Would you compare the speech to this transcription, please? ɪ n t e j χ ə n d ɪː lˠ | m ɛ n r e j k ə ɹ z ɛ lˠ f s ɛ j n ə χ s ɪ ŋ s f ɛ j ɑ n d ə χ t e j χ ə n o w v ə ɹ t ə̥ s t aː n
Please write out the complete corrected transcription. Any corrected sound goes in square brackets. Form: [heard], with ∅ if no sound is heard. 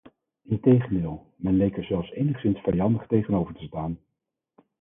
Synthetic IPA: ɪ n t e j χ ə n d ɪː lˠ | m ɛ n [l] e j k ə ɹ z ɛ lˠ f s [e] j n ə χ s ɪ [n] s f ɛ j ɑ n d ə χ t e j χ ə n o w v ə ɹ t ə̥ s t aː n

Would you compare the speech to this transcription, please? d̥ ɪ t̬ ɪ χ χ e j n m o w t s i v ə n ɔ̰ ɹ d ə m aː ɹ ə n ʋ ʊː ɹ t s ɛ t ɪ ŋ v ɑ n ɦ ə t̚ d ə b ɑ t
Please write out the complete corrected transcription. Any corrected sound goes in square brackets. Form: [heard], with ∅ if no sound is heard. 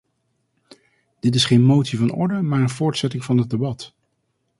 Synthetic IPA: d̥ ɪ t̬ ɪ [s] χ e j n m o w t s i v [ɑ] n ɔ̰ ɹ d ə m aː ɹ ə n [v] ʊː ɹ t s ɛ t ɪ ŋ v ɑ n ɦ ə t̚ d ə b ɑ t

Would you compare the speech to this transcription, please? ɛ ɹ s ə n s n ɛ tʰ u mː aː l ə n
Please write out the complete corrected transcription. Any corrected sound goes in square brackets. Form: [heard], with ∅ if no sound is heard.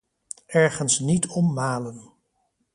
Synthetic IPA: ɛ ɹ [χ] ə n s n [i] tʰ [ɔ] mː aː l ə n

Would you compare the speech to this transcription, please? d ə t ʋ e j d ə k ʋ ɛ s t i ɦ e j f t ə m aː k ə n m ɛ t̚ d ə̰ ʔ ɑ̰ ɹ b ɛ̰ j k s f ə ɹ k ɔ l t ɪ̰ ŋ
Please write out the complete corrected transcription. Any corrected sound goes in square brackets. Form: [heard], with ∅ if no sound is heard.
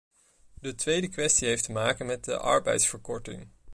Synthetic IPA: d ə t ʋ e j d ə k ʋ ɛ s t i ɦ e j f t ə m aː k ə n m ɛ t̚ d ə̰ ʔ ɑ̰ ɹ b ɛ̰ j [t] s f ə ɹ k ɔ [ɹ] t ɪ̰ ŋ

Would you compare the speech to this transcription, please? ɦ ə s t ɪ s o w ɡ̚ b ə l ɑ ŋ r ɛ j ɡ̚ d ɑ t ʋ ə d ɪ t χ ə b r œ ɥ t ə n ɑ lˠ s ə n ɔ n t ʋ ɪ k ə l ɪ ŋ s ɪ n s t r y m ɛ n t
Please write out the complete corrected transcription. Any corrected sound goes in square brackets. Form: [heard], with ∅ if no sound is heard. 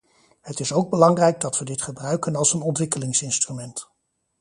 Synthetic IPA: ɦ ə [∅] t ɪ s o w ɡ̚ b ə l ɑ ŋ r ɛ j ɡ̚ d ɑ t ʋ ə d ɪ t χ ə b r œ ɥ [k] ə n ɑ lˠ s ə n ɔ n t ʋ ɪ k ə l ɪ ŋ s ɪ n s t r y m ɛ n t

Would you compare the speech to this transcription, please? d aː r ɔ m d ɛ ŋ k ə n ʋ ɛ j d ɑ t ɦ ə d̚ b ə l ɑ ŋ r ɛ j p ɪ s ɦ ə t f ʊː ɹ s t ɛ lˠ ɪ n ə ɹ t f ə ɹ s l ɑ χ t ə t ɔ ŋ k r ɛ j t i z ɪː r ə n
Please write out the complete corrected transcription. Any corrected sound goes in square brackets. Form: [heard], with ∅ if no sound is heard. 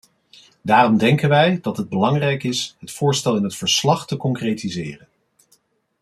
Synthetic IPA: d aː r ɔ m d ɛ ŋ k ə n ʋ ɛ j d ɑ t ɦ ə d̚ b ə l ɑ ŋ r ɛ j [k] ɪ s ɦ ə t f ʊː ɹ s t ɛ lˠ ɪ n ə [∅] t f ə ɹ s l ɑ χ t ə [k] ɔ ŋ k r [e] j t i z ɪː r ə n

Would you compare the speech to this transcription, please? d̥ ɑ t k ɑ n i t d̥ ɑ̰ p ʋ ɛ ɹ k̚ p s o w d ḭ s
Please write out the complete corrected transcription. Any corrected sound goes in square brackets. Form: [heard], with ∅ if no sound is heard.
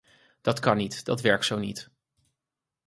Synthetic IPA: d̥ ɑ t k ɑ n i t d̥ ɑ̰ [t] ʋ ɛ ɹ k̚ [t] s o w [n] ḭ [t]

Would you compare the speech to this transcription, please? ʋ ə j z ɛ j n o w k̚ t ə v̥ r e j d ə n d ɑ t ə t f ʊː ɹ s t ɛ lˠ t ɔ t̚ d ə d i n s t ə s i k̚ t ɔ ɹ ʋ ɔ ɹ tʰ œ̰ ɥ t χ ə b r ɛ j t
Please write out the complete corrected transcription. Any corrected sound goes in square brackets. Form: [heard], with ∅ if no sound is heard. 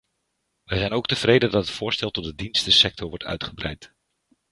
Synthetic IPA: ʋ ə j z ɛ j n o w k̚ t ə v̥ r e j d ə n d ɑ t ə t f ʊː ɹ s t ɛ lˠ t ɔ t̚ d ə d i n s t ə s [ɛ] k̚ t ɔ ɹ ʋ ɔ ɹ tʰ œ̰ ɥ t χ ə b r ɛ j t

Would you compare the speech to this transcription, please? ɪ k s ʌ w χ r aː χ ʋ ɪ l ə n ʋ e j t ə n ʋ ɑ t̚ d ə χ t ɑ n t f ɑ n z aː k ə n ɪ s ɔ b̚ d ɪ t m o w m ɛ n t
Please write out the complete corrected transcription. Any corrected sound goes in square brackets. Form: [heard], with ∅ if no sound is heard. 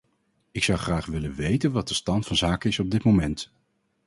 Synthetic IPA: ɪ k s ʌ w χ r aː χ ʋ ɪ l ə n ʋ e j t ə n ʋ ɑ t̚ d ə [s] t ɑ n t f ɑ n z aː k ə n ɪ s ɔ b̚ d ɪ t m o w m ɛ n t

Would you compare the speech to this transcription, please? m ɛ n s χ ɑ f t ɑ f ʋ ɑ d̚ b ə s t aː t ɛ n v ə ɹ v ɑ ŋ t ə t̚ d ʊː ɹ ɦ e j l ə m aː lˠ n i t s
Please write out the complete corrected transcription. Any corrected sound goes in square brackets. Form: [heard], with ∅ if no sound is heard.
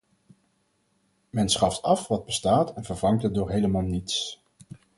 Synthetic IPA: m ɛ n s χ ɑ f t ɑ f ʋ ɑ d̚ b ə s t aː t ɛ n v ə ɹ v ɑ ŋ t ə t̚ d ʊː ɹ ɦ e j l ə m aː lˠ n i t s

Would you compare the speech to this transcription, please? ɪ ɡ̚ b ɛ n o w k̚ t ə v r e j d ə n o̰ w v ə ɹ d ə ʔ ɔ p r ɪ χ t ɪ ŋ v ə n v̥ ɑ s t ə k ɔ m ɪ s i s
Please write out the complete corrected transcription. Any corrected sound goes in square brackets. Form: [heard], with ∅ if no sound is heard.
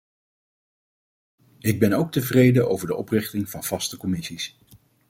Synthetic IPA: ɪ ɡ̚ b ɛ n o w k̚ t ə v r e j d ə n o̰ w v ə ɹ d ə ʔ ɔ p r ɪ χ t ɪ ŋ v [ɑ] n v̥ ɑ s t ə k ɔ m ɪ s i s

